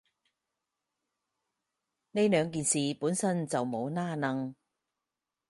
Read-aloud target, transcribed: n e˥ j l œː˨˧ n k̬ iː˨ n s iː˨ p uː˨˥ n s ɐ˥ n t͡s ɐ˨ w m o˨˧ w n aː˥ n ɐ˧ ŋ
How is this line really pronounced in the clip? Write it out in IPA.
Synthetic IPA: n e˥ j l œː˨˧ ŋ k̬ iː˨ n s iː˨ p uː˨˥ n s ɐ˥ n t͡s ɐ˨ w m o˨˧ w n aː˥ n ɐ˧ ŋ